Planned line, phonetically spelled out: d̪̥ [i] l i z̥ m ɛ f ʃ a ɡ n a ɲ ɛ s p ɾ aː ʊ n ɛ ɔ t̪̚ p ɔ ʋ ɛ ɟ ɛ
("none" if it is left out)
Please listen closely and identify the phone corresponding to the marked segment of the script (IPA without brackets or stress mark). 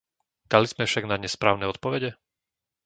a